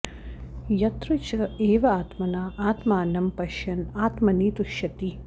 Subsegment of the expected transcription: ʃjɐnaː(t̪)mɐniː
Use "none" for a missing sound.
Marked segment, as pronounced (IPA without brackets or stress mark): t̪